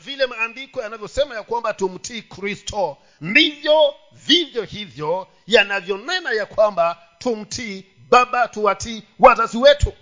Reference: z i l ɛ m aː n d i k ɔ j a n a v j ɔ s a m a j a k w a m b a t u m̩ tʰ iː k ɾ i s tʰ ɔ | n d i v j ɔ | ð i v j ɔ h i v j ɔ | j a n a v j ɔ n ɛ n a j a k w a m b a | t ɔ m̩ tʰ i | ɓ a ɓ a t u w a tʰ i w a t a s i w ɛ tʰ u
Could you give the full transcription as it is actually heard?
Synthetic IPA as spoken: v i l ɛ m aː n d i k ɔ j a n a v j ɔ s ɛ m a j a k w a m b a t u m̩ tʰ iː k ɾ i s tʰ ɔ | n d i v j ɔ | v i v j ɔ h i v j ɔ | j a n a v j ɔ n ɛ n a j a k w a m b a | t u m̩ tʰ i | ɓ a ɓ a t u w a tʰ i w a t a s i w ɛ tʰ u